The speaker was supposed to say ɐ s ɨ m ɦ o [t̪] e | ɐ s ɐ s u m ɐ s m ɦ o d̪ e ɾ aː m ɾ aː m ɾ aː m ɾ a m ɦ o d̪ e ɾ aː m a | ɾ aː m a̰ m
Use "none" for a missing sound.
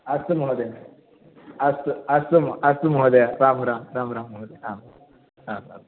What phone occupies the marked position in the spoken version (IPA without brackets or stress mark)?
d̪